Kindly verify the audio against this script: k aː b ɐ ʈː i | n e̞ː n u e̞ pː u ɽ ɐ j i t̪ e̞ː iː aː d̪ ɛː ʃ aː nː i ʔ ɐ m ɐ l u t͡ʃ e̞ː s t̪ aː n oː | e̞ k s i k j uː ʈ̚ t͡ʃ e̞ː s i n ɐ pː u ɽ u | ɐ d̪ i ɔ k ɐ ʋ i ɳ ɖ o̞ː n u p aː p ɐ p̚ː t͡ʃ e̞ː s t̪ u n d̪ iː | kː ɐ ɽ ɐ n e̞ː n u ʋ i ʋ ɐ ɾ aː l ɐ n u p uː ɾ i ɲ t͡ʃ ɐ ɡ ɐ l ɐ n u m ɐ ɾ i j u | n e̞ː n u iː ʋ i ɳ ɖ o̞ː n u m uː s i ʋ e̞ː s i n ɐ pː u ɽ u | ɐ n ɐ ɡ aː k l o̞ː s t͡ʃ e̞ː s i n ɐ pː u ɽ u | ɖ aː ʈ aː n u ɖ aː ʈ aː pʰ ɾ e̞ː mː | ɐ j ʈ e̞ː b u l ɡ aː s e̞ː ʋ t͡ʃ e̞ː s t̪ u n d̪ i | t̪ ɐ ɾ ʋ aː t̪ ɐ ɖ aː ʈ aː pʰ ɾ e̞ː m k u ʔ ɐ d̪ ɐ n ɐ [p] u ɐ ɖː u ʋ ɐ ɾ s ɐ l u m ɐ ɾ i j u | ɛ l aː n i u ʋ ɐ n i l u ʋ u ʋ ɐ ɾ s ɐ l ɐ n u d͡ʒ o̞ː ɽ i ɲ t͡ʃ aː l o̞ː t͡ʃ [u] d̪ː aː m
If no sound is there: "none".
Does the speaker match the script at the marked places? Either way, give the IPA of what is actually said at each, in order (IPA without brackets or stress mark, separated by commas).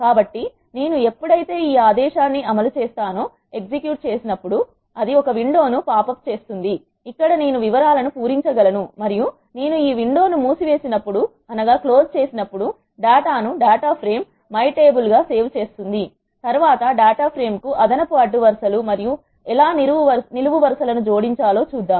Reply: p, uː